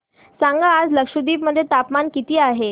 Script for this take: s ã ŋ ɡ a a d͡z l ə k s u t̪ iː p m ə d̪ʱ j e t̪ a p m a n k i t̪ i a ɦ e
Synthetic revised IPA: s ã ŋ ɡ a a d͡z l ə k ʂ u d̪ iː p m ə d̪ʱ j e t̪ a p m a n k i t̪ iː a ɦ e